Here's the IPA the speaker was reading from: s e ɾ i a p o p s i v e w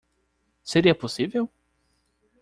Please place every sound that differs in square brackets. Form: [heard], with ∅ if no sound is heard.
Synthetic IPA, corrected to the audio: s e ɾ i [ɐ] p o [∅] s i v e w